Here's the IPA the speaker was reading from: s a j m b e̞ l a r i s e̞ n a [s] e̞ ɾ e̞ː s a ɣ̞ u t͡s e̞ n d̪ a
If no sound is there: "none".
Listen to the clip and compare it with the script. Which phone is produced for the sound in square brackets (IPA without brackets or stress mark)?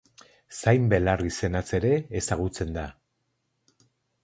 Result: t͡s